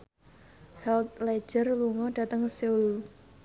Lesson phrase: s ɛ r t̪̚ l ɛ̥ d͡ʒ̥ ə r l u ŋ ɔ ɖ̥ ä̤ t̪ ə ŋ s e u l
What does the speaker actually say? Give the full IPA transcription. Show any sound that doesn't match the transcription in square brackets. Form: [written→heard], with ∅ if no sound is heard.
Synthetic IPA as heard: [s→h] ɛ [r→l] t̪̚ l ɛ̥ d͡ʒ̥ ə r l u ŋ ɔ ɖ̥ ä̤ t̪ ə ŋ s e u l